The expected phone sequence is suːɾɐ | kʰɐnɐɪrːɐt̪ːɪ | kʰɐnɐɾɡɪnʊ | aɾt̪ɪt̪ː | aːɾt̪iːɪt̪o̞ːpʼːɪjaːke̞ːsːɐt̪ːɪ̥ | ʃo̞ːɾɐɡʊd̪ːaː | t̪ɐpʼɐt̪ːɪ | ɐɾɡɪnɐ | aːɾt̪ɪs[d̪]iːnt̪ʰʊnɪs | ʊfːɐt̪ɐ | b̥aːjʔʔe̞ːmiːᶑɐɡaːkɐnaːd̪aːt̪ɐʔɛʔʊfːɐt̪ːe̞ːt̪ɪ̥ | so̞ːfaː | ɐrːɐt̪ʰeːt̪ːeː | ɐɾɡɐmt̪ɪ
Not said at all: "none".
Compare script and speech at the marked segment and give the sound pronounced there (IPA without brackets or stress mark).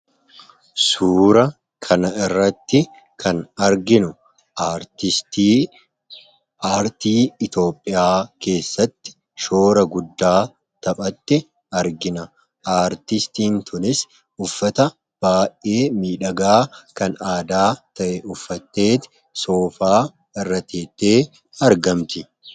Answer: t̪